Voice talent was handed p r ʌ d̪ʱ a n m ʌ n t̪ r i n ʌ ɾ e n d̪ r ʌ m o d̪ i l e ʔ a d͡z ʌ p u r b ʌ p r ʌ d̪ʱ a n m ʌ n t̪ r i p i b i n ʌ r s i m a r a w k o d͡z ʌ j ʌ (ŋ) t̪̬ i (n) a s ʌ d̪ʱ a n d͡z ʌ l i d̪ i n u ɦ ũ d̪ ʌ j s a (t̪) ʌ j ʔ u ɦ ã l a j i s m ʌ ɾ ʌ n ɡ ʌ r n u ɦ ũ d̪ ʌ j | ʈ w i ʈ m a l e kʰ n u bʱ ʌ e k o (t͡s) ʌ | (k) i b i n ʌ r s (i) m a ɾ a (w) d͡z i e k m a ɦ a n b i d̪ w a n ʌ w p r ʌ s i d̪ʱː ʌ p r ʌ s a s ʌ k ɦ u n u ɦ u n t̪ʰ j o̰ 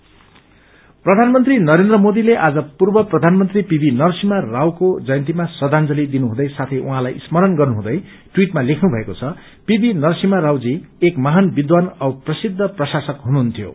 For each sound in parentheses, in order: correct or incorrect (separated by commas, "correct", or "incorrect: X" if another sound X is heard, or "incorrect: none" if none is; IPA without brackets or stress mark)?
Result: incorrect: n, incorrect: m, incorrect: t̪ʰ, incorrect: t͡sʰ, incorrect: p, correct, correct